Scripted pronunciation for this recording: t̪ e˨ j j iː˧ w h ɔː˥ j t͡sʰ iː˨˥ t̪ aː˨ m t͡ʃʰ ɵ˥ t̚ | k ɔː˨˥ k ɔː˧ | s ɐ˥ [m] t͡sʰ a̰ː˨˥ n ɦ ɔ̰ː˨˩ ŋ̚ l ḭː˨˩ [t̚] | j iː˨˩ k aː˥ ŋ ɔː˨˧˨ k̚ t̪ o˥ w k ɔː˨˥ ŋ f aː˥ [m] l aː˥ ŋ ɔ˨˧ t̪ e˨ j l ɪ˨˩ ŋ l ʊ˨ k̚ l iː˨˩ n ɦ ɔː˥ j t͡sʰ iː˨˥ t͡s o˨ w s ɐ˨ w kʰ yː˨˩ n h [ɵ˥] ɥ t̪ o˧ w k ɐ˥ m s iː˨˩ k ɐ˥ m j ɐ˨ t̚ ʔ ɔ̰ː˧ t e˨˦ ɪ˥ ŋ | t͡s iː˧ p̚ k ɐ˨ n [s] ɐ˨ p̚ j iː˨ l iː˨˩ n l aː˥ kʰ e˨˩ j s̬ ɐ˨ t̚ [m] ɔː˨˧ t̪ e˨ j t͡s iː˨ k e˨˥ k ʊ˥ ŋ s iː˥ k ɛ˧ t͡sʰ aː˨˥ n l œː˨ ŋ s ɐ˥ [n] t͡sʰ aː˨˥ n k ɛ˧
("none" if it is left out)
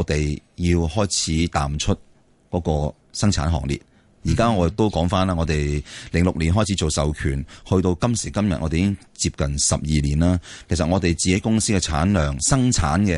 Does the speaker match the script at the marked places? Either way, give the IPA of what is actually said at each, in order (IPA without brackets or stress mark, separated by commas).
ŋ, t̚, n, ɵ˧, s, ŋ, ŋ